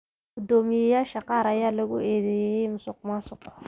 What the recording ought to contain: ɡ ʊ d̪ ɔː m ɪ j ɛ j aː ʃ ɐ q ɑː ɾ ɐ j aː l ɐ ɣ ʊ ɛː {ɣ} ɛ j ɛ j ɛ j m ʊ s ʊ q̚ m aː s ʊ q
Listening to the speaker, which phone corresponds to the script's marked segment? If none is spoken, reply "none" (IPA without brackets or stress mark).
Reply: ð